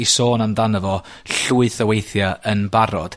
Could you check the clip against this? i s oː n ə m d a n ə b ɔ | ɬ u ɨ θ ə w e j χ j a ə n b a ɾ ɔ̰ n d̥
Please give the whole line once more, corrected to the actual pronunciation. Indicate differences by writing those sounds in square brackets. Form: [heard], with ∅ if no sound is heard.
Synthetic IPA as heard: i s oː n [a] m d a n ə [v] ɔ | ɬ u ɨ θ ə w e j [θ] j a ə n b a ɾ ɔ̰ [∅] d̥